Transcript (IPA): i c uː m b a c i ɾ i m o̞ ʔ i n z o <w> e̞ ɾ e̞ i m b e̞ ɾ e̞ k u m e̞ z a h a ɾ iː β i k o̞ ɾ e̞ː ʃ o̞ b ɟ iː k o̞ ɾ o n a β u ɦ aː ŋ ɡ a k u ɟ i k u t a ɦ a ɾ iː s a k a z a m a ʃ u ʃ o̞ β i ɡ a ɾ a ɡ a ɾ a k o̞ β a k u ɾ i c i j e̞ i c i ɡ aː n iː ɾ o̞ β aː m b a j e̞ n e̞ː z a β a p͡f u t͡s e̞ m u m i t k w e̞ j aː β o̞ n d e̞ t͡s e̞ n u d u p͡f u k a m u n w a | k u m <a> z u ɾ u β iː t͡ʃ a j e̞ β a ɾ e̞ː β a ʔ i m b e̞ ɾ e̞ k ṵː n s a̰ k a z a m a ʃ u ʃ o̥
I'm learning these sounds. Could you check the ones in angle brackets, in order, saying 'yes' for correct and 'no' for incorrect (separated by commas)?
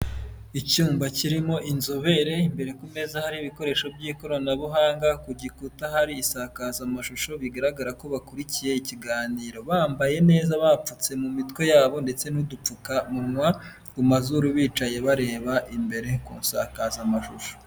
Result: no, yes